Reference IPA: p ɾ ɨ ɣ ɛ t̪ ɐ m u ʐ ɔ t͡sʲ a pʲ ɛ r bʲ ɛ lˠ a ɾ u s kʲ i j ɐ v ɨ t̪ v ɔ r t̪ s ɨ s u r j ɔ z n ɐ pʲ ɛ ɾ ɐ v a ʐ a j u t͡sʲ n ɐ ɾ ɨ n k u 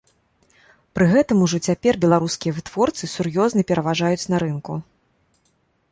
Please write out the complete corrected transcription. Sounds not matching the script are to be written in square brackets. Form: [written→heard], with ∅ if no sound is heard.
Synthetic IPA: p ɾ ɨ ɣ ɛ t̪ ɐ m u ʐ ɔ t͡sʲ a pʲ ɛ r bʲ ɛ lˠ a ɾ u s kʲ i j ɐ v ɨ t̪ v ɔ r t̪ s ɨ s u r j ɔ z n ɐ pʲ ɛ ɾ ɐ v a ʐ a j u t͡sʲ n ɐ ɾ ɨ n k u